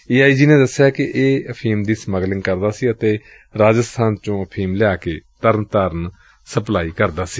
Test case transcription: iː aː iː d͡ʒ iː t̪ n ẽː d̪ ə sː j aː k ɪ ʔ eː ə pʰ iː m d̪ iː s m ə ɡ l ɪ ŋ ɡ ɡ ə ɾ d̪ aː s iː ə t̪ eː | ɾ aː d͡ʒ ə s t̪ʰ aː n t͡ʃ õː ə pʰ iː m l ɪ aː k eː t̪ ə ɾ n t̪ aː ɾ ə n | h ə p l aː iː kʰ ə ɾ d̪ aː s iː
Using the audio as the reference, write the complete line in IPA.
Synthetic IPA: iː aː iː d͡ʒ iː n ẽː d̪ ə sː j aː k ɪ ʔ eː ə pʰ iː m d̪ iː s m ə ɡ l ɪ ŋ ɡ k ə ɾ d̪ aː s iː ə t̪ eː | ɾ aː d͡ʒ ə s t̪ʰ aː n t͡ʃ õː ə pʰ iː m l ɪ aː k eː t̪ ə ɾ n t̪ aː ɾ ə n | s ə p l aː iː k ə ɾ d̪ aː s iː